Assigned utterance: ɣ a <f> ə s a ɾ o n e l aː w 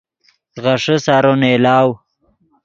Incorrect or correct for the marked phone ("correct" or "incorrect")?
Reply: incorrect